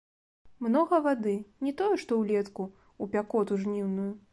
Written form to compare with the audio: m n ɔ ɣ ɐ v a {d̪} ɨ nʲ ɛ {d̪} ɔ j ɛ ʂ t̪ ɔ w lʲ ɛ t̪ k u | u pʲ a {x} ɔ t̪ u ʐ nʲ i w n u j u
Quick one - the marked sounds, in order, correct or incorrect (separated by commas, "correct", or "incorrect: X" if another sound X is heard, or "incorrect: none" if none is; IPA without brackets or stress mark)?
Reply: correct, incorrect: t̪, incorrect: k